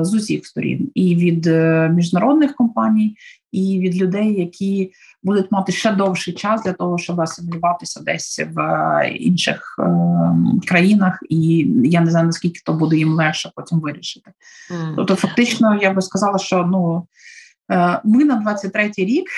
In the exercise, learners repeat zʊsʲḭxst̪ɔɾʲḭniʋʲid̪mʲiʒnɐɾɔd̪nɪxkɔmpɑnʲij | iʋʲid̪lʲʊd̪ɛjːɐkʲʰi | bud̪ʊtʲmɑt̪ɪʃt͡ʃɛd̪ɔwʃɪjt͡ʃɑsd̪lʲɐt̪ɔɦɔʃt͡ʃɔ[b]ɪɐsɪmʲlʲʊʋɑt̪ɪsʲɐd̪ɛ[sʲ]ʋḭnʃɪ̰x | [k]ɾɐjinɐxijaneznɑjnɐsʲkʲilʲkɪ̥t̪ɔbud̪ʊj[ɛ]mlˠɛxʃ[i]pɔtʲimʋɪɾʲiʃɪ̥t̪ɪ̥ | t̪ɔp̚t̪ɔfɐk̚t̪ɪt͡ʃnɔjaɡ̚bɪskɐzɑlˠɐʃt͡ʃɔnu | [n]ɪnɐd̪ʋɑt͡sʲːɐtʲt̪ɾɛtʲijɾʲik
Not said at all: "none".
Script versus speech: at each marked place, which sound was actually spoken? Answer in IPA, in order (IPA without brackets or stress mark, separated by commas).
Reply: b, sʲ, k, i, ɛ, m